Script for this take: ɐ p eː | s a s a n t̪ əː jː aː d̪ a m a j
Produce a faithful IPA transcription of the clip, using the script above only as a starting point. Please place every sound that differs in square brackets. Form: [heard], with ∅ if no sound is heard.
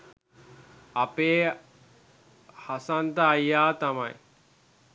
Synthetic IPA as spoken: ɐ p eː | [h] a s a n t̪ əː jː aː [t̪] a m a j